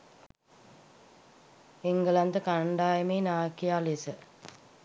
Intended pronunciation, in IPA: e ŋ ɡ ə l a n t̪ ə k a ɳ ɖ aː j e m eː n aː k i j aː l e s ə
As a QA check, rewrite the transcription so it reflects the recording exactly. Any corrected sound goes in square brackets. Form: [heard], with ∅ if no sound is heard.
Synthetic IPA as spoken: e ŋ ɡ ə l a n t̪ ə k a ɳ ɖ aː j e m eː n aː k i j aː l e s ə